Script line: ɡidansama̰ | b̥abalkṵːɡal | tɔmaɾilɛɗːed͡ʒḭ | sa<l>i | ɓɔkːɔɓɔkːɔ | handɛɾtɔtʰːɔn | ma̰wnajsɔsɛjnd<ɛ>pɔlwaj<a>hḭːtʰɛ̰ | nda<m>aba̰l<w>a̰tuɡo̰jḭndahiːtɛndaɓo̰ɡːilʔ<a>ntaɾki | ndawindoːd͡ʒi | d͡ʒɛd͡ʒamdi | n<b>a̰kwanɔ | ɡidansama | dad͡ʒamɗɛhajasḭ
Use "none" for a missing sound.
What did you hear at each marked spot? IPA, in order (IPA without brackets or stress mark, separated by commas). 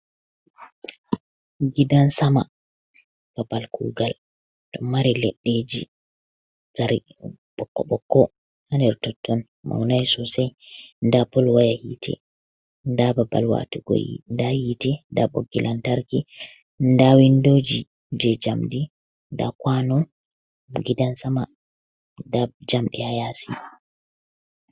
ɾ, a, a, b, w, a, d